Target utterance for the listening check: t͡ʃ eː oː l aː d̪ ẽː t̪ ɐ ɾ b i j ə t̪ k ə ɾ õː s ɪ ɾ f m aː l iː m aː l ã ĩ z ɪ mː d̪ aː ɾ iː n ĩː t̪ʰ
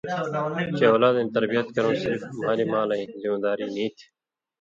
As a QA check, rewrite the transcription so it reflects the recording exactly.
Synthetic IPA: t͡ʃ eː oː l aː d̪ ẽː t̪ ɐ ɾ b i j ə t̪ k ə ɾ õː s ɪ ɾ f m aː l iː m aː l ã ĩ z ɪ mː d̪ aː ɾ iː n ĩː t̪ʰ